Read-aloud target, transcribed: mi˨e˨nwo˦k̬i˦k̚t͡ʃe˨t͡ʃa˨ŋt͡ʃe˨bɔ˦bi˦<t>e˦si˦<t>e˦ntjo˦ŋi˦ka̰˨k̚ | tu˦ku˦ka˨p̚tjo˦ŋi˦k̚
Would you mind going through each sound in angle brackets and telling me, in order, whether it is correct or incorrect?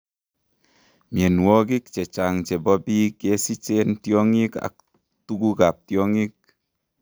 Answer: incorrect: k, incorrect: t͡ʃ

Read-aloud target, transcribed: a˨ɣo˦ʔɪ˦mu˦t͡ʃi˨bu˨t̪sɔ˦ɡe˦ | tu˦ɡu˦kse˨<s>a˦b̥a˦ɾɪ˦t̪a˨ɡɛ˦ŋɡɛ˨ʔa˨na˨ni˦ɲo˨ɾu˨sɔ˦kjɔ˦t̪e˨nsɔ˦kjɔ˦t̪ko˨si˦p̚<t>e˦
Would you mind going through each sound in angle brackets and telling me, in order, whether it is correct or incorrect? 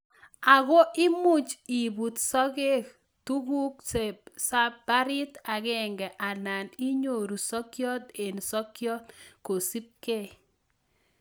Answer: correct, incorrect: k

